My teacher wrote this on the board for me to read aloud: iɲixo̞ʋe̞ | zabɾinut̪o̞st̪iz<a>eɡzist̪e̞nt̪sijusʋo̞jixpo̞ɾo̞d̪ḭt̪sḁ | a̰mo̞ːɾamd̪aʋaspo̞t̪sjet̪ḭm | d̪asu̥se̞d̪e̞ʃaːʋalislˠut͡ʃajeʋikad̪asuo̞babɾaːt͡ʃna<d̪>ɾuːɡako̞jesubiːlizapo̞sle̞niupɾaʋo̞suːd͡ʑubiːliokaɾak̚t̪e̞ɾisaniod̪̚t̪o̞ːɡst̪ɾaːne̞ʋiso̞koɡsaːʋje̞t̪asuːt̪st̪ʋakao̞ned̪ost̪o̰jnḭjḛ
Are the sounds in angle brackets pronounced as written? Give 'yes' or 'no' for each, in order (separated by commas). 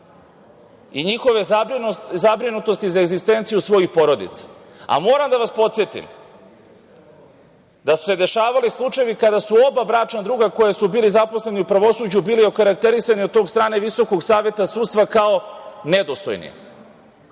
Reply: yes, yes